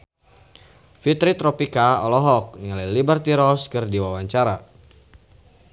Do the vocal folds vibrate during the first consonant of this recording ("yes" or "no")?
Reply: no